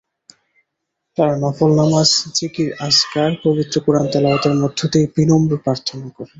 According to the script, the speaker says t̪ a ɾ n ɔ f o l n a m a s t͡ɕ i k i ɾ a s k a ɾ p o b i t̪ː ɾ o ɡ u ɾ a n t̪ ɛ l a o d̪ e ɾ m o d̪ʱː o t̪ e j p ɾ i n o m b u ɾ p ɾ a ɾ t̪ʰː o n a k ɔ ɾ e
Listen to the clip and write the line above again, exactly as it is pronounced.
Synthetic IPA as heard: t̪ a ɾ n ɔ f o l n a m a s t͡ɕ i k i ɾ a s k a ɾ p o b i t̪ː ɾ o k u ɾ a n t̪ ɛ l a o t̪ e ɾ m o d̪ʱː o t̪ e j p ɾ i n o m b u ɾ p ɾ a ɾ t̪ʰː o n a k ɔ ɾ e